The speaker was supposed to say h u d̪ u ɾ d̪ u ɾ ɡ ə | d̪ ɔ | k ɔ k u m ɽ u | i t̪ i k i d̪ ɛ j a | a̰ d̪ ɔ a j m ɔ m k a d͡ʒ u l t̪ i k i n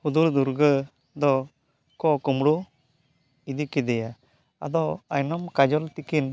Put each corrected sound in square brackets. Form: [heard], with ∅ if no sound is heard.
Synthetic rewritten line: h u d̪ u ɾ d̪ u ɾ ɡ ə | d̪ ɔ | k ɔ k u m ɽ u | i [d̪] i k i d̪ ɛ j a | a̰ d̪ ɔ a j [n] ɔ m k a d͡ʒ [ɔ] l t̪ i k i n